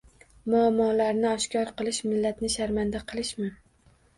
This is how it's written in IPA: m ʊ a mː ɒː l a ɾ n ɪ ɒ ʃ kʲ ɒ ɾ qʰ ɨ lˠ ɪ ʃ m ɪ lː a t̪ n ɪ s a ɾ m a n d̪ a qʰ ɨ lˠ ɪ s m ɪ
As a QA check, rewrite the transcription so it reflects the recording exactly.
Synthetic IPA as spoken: m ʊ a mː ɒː l a ɾ n ɪ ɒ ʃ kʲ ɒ ɾ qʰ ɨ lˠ ɪ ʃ m ɪ lː a t̪ n ɪ ʃ a ɾ m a n d̪ a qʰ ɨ lˠ ɪ ʃ m ɪ